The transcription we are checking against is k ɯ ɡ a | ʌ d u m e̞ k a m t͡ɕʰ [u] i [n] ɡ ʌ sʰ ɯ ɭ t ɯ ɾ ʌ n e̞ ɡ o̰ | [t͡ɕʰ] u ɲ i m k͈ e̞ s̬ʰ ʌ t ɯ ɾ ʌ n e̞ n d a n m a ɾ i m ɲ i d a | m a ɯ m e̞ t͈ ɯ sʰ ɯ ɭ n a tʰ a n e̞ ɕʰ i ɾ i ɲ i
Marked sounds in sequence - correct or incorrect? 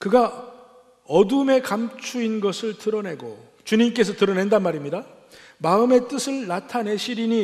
correct, correct, incorrect: t͡ɕ

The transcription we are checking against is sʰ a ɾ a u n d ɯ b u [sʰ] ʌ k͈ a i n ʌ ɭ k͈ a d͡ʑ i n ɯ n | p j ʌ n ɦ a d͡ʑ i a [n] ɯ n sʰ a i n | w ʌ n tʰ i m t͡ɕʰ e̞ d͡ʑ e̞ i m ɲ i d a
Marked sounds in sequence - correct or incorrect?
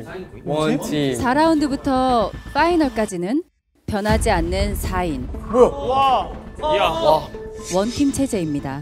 incorrect: tʰ, incorrect: nː

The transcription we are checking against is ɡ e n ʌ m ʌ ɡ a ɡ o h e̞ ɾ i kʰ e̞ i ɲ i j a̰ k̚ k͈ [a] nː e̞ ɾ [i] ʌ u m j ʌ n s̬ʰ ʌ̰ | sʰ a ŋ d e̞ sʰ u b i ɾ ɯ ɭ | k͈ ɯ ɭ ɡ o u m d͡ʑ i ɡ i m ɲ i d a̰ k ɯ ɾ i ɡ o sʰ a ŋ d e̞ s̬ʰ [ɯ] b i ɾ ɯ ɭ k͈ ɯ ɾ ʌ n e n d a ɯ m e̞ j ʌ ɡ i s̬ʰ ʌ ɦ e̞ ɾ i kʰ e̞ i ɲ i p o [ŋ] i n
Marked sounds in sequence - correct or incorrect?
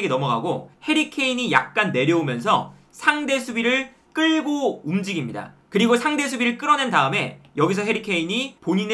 correct, incorrect: j, incorrect: u, incorrect: ɲ

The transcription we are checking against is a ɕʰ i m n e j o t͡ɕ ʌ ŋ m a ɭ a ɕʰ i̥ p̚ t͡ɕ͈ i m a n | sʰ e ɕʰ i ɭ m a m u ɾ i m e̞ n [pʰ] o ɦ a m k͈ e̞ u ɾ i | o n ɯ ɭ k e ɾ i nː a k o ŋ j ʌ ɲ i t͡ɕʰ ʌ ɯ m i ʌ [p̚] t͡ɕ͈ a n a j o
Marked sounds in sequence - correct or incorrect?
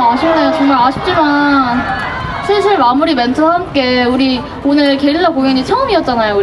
incorrect: tʰ, incorrect: t̚

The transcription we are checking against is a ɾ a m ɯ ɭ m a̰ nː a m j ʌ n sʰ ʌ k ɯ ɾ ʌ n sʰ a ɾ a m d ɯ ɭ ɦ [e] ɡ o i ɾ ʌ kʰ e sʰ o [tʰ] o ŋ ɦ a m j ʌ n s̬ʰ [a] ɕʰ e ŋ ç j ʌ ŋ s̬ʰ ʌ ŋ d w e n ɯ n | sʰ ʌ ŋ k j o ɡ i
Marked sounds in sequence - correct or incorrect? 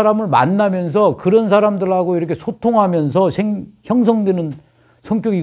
incorrect: a, correct, incorrect: ʌ

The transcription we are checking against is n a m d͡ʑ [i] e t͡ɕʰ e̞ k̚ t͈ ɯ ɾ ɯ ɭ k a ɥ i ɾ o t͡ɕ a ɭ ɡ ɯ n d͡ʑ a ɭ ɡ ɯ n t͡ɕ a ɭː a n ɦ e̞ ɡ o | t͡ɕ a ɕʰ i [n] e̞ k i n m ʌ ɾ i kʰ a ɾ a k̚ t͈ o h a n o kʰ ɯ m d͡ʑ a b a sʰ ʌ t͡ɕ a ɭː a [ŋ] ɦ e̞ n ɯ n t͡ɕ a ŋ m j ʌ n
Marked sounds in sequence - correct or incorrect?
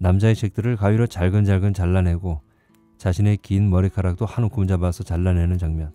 incorrect: a, correct, incorrect: n

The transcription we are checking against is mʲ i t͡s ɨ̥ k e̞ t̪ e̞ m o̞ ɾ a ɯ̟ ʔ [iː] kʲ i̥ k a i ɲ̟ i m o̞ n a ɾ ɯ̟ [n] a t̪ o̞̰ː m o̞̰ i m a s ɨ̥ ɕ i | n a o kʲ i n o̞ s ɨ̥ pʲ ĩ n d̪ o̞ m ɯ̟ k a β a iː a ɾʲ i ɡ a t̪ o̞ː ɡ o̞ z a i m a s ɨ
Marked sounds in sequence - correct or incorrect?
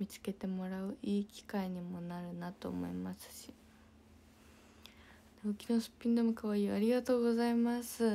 correct, correct

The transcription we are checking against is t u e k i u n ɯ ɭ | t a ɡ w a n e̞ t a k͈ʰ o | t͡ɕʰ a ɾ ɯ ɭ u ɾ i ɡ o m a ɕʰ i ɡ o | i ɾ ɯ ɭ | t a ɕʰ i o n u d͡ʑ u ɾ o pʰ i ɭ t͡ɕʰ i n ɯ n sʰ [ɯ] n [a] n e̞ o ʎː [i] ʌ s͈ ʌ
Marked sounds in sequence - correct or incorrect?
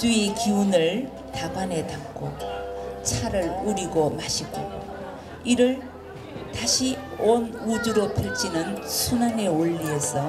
incorrect: u, correct, correct

